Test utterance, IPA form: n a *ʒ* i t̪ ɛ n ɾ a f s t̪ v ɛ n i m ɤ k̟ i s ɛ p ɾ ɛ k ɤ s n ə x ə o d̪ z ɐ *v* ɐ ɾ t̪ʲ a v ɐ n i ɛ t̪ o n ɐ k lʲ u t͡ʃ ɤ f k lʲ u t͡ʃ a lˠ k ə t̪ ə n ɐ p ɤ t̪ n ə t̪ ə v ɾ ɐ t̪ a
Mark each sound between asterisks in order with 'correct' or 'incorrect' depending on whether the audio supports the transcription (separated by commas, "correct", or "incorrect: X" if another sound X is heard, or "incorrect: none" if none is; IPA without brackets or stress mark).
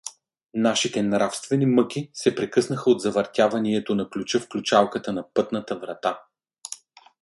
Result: incorrect: ʃ, correct